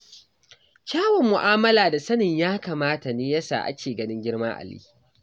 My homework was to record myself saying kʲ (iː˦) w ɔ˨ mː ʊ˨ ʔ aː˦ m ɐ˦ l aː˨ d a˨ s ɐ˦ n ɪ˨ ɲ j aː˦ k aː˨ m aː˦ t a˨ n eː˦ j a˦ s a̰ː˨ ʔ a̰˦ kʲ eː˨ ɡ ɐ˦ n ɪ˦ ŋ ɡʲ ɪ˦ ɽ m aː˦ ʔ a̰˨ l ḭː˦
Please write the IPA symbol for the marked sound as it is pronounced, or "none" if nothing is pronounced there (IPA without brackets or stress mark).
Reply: aː˦